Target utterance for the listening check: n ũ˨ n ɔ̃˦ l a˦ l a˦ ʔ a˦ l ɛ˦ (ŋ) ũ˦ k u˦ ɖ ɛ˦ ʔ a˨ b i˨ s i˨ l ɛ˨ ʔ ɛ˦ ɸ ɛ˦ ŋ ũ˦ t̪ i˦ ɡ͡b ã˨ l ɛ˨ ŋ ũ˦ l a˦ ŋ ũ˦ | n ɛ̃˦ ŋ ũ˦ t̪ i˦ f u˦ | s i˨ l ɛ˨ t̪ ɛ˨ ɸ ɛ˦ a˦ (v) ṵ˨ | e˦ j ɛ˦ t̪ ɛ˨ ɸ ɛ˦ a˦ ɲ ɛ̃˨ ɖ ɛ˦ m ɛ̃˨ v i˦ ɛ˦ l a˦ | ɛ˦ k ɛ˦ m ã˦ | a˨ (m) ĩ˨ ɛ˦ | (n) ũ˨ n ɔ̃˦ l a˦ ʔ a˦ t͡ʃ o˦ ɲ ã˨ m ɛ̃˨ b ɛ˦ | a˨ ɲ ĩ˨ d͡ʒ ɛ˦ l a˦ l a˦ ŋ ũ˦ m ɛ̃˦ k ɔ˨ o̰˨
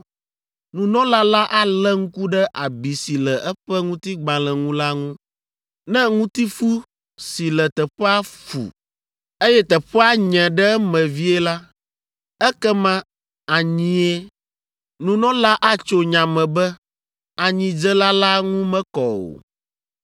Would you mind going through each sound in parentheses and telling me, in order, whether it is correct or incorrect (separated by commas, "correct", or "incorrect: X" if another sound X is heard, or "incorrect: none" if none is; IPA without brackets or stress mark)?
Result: correct, incorrect: f, incorrect: ɲ, correct